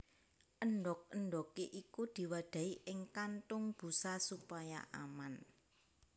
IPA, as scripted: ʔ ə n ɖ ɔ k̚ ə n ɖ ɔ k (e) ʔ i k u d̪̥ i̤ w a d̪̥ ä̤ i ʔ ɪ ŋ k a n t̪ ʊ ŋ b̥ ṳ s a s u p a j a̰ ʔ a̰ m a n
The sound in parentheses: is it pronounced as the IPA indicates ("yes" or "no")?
yes